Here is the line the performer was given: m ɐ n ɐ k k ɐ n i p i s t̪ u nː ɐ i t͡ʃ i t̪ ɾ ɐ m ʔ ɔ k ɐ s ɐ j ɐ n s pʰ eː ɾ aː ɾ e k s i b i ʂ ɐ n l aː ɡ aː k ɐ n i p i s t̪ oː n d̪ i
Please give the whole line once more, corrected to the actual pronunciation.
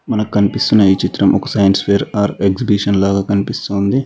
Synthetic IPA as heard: m ɐ n ɐ k k ɐ n i p i s t̪ u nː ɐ i t͡ʃ i t̪ ɾ ɐ m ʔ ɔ k ɐ s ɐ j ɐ n s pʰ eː ɾ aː ɾ e k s i b i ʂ ɐ n l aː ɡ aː k ɐ n i p i s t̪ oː n d̪ i